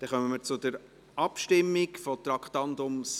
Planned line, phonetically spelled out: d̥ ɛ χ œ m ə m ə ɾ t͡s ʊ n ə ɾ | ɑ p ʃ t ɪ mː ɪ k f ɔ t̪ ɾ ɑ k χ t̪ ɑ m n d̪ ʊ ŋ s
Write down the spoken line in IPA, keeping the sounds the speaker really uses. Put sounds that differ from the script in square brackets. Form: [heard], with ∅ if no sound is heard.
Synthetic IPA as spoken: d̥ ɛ χ œ m ə m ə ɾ t͡s ʊ [d] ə ɾ | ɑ p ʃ t ɪ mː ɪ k f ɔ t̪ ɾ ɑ k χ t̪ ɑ [∅] n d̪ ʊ [m] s